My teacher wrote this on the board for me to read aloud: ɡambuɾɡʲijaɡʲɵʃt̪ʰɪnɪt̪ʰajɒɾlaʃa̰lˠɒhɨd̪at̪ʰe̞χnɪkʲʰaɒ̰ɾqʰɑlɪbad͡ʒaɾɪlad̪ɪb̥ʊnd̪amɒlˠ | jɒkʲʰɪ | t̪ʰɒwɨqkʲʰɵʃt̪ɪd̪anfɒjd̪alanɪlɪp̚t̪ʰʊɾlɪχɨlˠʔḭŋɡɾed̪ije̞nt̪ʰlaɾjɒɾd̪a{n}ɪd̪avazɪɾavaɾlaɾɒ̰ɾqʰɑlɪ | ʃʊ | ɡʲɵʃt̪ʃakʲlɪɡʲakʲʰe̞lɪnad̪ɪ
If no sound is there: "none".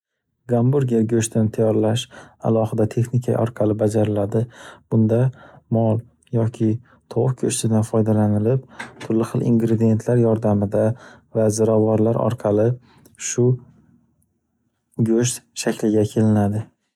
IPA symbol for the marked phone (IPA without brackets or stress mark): m